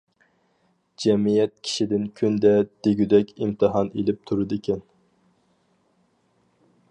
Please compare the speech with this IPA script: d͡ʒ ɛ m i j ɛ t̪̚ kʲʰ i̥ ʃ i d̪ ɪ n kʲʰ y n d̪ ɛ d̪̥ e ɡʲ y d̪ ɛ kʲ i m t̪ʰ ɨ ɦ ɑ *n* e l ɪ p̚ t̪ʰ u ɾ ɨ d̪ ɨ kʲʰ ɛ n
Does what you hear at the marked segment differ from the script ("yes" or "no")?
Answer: no